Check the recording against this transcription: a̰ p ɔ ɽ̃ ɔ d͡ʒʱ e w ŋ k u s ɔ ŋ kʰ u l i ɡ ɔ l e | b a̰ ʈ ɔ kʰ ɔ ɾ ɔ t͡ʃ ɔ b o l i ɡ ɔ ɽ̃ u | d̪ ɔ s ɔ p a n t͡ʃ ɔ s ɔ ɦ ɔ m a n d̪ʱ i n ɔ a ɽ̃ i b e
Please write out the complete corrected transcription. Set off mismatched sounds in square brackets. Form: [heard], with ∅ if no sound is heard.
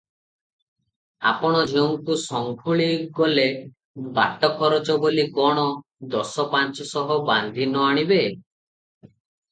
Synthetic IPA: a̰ p ɔ ɽ̃ ɔ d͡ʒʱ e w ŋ k u s ɔ ŋ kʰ u [ɭ] i ɡ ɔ l e | b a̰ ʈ ɔ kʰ ɔ ɾ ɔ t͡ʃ ɔ b o l i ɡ ɔ ɽ̃ [ɔ] | d̪ ɔ s ɔ p a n t͡ʃ ɔ s ɔ ɦ ɔ [b] a n d̪ʱ i n ɔ a ɽ̃ i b e